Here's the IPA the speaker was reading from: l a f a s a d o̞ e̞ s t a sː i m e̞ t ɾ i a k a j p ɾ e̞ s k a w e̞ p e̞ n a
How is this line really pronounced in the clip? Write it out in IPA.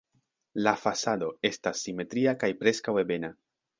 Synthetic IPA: l a f a s a d o̞ e̞ s t a sː i m e̞ t ɾ i a k a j p ɾ e̞ s k a w e̞ b e̞ n a